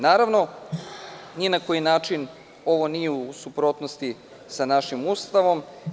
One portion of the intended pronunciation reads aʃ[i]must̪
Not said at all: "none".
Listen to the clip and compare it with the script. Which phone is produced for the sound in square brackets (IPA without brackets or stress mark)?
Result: i